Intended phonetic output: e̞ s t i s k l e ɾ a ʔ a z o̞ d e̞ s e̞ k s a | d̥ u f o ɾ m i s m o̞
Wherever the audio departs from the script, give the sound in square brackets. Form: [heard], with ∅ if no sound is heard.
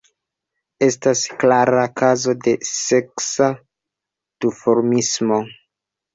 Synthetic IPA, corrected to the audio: e̞ s t [a] s k l [a] ɾ a [k] a z o̞ d e̞ s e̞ k s a | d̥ u f o ɾ m i s m o̞

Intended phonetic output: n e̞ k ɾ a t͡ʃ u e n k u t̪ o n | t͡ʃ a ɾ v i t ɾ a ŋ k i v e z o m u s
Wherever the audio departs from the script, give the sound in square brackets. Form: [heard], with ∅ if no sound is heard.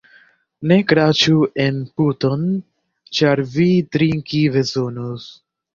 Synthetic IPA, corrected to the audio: n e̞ k ɾ a t͡ʃ u e n [p] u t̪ o n | t͡ʃ a ɾ v i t ɾ [i] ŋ k i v e z o [n] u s

